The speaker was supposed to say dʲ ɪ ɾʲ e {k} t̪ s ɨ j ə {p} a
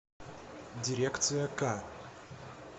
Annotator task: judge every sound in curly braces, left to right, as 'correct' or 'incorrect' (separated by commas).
correct, incorrect